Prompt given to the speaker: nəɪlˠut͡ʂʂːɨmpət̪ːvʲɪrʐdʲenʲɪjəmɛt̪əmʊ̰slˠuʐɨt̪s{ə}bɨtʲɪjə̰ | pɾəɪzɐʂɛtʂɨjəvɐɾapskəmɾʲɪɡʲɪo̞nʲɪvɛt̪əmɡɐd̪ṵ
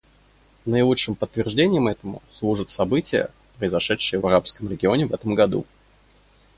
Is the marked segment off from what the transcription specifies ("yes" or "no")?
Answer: yes